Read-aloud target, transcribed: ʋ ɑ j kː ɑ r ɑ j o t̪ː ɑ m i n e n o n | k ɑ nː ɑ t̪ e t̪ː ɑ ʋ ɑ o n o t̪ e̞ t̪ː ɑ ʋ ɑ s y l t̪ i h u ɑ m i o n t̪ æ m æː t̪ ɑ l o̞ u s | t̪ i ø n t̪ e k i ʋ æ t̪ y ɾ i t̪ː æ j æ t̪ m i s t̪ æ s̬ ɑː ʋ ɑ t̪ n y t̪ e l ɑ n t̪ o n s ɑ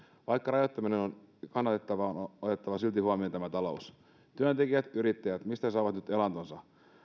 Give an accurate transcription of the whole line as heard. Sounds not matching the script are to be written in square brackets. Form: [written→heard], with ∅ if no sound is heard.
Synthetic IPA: ʋ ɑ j kː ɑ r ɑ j o t̪ː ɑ m i n e n o n | k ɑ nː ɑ t̪ e t̪ː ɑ ʋ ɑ o n o t̪ e̞ t̪ː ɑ ʋ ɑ s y l t̪ i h u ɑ m i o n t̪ æ m [æː→æ] t̪ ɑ l o̞ u s | t̪ [i→y] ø n t̪ e k i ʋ æ t̪ y ɾ i t̪ː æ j æ t̪ m i s t̪ æ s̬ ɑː ʋ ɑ t̪ n y t̪ e l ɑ n t̪ o n s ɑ